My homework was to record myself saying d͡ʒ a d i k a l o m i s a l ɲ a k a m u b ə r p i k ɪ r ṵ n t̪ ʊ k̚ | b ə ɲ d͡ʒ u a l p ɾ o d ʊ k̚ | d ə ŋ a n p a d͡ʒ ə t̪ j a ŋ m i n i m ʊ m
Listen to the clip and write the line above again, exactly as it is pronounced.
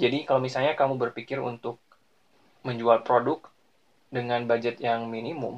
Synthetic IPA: d͡ʒ a d i k a l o m i s a l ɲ a k a m u b ə r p i k ɪ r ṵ n t̪ ʊ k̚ | m ə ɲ d͡ʒ u a l p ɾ o d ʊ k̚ | d ə ŋ a n b a d͡ʒ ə t̪ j a ŋ m i n i m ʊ m